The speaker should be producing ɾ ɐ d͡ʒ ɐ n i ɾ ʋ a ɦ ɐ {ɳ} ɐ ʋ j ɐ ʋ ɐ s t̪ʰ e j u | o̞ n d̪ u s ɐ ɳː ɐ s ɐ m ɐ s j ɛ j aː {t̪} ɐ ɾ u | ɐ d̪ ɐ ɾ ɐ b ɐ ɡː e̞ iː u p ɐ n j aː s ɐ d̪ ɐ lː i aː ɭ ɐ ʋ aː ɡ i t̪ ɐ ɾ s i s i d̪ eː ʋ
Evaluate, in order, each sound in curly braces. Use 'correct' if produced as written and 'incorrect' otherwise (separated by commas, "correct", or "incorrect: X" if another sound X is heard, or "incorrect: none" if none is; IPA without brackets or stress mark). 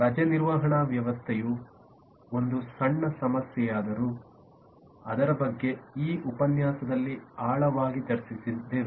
correct, incorrect: d̪